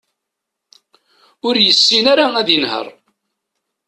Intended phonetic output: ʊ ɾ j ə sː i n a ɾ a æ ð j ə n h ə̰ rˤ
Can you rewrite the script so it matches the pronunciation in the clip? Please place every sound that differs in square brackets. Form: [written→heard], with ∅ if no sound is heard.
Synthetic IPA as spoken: ʊ ɾ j ə sː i n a ɾ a æ ð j ə n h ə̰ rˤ

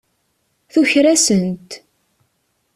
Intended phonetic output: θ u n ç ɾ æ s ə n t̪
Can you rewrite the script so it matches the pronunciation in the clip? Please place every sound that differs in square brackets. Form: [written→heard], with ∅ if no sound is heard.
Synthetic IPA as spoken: θ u [n→∅] ç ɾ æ s ə n t̪

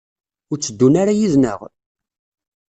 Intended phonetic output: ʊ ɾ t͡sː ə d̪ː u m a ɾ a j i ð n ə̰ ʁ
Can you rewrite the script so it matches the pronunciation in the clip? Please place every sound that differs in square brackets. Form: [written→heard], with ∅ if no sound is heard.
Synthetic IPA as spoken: ʊ ɾ t͡sː ə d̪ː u [m→n] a ɾ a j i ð n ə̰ ʁ

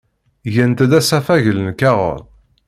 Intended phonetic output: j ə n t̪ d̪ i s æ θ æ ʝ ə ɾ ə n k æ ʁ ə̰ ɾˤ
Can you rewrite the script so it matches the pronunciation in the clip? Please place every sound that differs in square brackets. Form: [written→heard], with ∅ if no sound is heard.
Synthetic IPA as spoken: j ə n t̪ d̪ [i→æ] s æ [θ→f] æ ʝ ə [ɾ→l] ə n k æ ʁ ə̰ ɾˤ

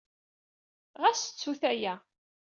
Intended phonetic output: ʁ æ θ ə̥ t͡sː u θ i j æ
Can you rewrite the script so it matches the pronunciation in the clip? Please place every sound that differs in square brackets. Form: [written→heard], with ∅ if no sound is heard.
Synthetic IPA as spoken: ʁ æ [θ→s] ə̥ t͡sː u θ [i→æ] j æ

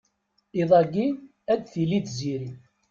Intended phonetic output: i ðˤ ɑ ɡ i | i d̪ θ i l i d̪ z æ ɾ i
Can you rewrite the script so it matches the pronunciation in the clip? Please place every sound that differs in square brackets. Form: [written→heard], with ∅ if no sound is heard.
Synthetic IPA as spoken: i ðˤ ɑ ɡ i | [i→æ] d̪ θ i l i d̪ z [æ→i] ɾ i

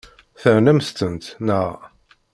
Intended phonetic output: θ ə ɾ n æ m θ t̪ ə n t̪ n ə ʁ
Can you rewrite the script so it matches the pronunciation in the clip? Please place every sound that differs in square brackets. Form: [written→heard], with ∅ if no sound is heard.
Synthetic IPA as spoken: θ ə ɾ n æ m [θ→s] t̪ ə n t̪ n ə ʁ

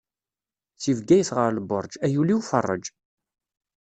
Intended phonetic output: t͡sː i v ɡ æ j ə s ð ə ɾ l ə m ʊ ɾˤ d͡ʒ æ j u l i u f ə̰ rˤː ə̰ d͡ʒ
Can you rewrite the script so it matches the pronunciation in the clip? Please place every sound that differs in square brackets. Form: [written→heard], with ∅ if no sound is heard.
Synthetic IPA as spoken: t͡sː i v ɡ æ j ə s [ð→ʁ] ə ɾ l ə [m→b] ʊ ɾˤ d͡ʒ æ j u l i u f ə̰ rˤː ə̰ d͡ʒ

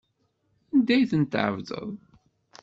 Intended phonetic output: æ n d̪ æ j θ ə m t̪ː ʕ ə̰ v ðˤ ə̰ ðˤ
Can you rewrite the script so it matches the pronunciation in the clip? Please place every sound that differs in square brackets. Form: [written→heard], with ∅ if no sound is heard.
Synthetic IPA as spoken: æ n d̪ æ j θ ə [m→n] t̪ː ʕ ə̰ v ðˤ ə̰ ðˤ

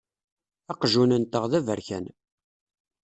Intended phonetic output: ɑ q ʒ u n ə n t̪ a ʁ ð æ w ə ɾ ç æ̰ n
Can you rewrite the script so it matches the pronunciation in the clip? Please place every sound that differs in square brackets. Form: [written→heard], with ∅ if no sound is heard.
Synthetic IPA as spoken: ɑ q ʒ u n ə n t̪ [a→ə] ʁ ð æ [w→v] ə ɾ ç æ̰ n

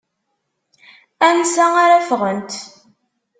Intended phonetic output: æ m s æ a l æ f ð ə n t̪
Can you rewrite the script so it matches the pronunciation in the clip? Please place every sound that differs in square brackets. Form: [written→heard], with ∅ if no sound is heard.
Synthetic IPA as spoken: æ [m→n] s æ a [l→ɾ] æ f [ð→ʁ] ə n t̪

